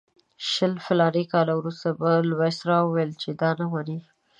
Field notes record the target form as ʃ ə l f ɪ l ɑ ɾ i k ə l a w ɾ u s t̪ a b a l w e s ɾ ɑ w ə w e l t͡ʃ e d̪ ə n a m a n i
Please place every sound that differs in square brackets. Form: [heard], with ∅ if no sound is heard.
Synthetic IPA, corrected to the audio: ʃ ə l f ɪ l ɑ ɾ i k [ɑ] l a w ɾ u s t̪ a b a l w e s ɾ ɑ w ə w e l t͡ʃ e d̪ [ɑ] n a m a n i